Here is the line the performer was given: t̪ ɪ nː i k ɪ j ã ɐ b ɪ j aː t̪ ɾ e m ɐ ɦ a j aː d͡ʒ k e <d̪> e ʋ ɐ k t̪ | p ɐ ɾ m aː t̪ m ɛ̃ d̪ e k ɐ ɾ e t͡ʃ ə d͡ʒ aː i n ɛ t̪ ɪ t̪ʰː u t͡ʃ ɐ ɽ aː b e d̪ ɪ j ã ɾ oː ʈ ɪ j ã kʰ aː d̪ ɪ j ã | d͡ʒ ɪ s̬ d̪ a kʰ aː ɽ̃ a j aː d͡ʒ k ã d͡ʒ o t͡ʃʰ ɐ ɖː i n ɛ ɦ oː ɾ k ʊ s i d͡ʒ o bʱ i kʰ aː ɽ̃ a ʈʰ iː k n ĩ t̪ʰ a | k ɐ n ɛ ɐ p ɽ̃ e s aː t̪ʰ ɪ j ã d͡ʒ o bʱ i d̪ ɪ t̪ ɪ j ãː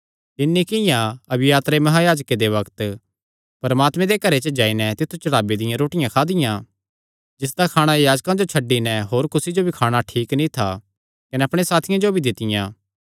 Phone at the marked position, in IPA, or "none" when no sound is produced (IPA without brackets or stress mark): d̪